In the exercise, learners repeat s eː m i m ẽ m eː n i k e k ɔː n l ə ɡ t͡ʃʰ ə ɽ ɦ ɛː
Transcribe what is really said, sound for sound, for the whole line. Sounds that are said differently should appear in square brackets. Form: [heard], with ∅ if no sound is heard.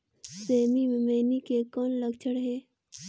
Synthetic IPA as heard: s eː m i m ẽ m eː n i k e k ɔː n l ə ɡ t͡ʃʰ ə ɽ ɦ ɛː